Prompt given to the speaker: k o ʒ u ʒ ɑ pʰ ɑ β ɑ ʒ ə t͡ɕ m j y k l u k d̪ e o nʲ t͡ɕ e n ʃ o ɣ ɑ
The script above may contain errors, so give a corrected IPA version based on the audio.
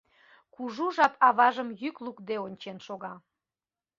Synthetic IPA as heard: k u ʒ u ʒ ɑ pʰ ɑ β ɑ ʒ ə m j y k l u k d̪ e o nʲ t͡ɕ e n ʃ o ɣ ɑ